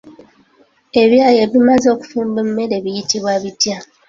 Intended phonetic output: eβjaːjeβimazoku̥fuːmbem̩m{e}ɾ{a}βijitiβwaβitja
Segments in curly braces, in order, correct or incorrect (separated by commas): correct, incorrect